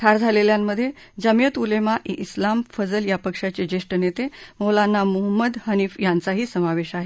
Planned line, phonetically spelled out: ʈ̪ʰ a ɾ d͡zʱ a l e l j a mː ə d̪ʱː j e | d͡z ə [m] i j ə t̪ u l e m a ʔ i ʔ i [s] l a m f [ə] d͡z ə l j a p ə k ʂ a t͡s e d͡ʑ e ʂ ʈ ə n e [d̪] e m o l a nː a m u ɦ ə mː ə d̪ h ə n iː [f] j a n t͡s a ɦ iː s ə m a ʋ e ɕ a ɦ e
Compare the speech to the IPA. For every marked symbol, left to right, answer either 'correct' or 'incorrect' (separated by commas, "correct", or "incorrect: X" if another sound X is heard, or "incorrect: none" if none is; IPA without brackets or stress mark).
correct, correct, correct, incorrect: t̪, correct